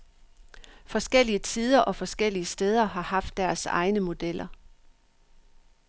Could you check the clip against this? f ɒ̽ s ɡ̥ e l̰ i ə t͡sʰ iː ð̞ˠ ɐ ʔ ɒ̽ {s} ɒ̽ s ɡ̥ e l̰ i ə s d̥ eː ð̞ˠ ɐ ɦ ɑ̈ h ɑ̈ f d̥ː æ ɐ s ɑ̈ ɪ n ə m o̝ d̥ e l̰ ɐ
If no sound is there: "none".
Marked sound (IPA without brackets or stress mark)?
f